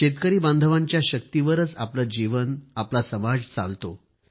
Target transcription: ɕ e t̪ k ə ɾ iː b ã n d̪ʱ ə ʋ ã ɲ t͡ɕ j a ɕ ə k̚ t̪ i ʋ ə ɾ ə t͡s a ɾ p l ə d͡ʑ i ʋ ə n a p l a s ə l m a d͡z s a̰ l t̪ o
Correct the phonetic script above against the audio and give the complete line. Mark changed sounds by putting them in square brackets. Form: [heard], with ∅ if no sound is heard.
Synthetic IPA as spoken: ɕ e t̪ k ə ɾ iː b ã n d̪ʱ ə ʋ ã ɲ t͡ɕ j a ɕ ə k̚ t̪ i ʋ ə ɾ ə t͡s a [∅] p l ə d͡ʑ i ʋ ə n a p l a s ə [∅] m a d͡z [t͡s] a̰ l t̪ o